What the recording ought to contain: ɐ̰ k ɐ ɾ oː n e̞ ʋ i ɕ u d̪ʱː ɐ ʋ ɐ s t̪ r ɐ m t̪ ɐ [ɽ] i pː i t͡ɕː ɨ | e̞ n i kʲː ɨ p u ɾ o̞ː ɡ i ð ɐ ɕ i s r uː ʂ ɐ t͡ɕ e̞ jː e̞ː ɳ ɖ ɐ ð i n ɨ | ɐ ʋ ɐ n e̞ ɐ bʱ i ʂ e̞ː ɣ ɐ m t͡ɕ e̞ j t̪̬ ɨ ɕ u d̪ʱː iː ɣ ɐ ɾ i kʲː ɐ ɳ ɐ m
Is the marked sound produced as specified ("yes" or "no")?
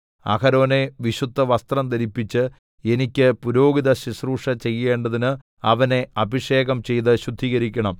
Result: no